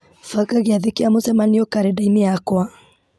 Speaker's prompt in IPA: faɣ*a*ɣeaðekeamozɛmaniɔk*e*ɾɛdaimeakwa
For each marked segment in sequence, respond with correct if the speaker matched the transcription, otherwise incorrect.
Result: correct, incorrect

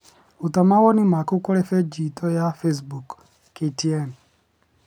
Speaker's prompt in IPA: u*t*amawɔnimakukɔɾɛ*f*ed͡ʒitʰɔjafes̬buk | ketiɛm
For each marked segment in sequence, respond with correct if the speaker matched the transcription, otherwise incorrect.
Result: correct, correct

